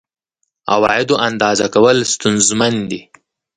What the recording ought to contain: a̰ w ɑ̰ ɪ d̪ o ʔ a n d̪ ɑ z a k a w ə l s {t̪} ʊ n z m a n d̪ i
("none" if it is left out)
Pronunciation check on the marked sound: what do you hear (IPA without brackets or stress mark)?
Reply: t̪